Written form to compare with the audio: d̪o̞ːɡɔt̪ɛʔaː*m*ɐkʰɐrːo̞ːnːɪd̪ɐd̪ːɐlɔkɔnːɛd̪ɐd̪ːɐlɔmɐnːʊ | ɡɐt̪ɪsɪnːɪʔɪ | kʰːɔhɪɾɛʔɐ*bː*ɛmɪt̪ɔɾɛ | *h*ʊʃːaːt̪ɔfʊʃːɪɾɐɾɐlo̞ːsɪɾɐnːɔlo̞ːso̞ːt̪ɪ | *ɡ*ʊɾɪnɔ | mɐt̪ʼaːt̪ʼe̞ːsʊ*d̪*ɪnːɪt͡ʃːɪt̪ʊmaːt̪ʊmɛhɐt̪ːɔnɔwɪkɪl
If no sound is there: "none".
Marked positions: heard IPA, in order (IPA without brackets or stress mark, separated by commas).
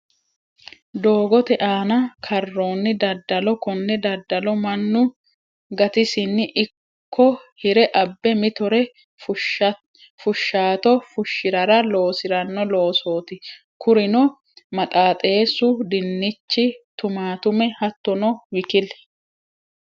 n, bː, f, k, d̪